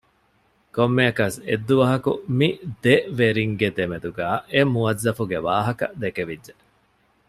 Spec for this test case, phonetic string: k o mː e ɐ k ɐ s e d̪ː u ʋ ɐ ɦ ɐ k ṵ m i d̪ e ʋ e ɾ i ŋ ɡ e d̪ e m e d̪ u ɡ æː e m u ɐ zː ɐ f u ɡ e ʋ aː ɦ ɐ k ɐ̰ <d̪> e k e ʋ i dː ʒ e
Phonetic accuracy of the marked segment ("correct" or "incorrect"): correct